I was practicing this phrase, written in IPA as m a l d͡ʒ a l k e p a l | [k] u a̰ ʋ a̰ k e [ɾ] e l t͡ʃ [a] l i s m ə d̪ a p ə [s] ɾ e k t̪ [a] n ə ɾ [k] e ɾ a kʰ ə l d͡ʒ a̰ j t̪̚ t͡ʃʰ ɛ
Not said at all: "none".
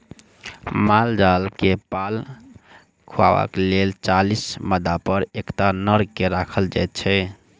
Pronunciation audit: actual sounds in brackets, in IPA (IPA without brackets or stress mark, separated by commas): kʰ, l, a, none, a, k